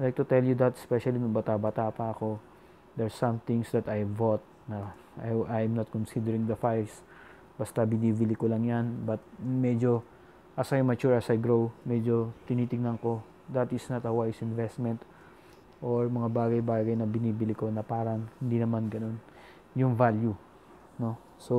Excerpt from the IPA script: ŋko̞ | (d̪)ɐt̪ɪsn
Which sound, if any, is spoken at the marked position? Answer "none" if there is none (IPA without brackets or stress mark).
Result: d̪